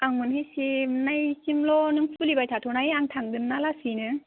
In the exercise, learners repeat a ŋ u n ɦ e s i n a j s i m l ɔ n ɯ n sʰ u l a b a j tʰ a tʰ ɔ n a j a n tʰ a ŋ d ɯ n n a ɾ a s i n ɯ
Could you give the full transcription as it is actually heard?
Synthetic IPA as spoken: a ŋ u n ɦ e s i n a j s i m l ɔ n ɯ ŋ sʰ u l i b a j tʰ a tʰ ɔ n a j a ŋ tʰ a ŋ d ɯ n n a l a s i n ɯ